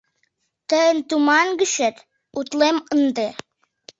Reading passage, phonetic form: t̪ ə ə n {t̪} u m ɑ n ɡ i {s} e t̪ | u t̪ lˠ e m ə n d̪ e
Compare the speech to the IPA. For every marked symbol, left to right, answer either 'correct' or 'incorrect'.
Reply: correct, incorrect: ʃ

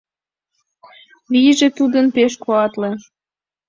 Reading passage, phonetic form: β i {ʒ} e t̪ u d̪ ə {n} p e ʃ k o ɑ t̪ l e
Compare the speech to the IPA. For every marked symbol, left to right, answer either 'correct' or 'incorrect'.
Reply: correct, correct

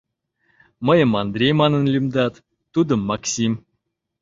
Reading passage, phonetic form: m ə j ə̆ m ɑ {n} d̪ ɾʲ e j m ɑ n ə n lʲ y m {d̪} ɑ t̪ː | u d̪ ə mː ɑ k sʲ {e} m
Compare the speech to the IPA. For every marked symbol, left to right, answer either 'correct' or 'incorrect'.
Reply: correct, correct, incorrect: i

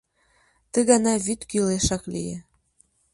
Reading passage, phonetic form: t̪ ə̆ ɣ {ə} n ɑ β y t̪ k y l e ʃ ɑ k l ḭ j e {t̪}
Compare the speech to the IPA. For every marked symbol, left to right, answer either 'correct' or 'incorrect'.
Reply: incorrect: ɑ, incorrect: none

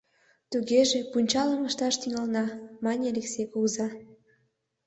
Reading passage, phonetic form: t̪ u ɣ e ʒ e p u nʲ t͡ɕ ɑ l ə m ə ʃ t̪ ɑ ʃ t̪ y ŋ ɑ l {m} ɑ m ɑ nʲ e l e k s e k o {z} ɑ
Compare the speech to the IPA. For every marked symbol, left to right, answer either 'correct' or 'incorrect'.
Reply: incorrect: n, correct

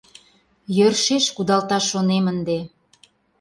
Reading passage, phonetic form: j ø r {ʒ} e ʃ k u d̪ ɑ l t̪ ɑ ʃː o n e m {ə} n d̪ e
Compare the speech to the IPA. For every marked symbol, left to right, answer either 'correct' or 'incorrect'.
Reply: incorrect: ʃ, correct

